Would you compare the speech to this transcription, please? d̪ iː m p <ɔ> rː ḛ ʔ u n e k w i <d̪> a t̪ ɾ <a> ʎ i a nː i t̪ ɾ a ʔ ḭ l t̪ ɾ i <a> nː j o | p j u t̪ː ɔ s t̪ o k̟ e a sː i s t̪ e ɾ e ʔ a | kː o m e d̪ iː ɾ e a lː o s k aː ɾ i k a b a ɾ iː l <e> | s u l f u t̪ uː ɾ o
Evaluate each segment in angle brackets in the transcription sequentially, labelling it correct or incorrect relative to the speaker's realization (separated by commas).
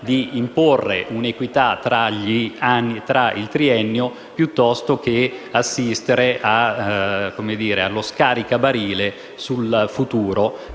incorrect, incorrect, correct, incorrect, correct